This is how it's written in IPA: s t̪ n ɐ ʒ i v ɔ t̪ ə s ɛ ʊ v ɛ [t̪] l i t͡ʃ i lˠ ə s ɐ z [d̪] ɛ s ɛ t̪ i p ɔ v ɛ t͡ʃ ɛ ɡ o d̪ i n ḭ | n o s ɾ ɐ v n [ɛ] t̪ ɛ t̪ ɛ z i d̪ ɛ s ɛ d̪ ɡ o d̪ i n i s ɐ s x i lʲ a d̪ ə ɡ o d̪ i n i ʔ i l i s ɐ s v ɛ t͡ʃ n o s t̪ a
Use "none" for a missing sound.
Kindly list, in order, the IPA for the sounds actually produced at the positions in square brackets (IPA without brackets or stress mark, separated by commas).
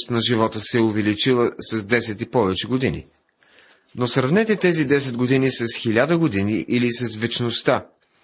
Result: none, d̪, ɛ